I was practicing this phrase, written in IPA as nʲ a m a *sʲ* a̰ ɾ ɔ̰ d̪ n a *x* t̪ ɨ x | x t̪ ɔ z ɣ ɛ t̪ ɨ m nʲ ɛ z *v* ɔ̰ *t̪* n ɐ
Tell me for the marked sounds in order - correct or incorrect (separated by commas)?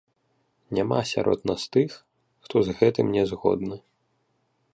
correct, incorrect, incorrect, incorrect